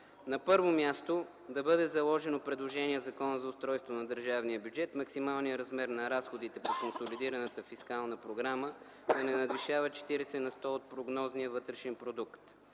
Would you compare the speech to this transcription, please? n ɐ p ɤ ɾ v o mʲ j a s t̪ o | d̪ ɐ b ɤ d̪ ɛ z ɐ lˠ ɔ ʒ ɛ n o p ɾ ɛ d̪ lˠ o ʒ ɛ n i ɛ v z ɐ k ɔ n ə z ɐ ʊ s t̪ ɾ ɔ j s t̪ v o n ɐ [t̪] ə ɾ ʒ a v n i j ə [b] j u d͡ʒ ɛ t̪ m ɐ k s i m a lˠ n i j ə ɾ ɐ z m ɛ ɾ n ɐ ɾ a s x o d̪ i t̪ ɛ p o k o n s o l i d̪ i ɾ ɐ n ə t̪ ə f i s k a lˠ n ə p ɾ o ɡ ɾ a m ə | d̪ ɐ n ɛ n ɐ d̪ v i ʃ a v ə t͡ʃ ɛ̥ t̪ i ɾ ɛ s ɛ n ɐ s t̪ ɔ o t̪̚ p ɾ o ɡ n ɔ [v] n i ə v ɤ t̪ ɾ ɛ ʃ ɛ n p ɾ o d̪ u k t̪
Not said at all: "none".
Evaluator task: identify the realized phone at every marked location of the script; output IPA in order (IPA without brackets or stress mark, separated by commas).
d̪, b, z